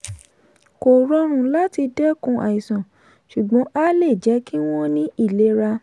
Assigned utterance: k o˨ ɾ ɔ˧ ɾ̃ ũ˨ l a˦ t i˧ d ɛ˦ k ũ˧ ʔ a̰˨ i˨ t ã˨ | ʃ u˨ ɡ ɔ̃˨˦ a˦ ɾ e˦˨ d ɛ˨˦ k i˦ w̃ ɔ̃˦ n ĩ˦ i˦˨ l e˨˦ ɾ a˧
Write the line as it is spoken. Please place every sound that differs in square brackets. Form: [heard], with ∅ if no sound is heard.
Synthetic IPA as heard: k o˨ ɾ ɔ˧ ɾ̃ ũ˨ l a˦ t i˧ d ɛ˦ k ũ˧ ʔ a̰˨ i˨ [s] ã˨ | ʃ u˨ [ɡ͡b] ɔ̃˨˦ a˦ [l] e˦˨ [d͡ʒ] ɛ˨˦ k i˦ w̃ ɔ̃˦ n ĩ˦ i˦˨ l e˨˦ ɾ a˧